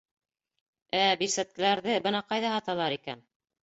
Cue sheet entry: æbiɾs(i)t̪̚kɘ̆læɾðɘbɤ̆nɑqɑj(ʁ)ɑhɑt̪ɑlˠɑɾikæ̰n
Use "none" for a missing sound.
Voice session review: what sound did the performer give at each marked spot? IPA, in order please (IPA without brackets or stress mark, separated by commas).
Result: æ, ð